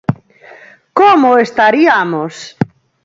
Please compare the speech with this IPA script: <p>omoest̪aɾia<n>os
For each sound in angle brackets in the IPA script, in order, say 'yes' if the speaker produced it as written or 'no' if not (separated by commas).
no, no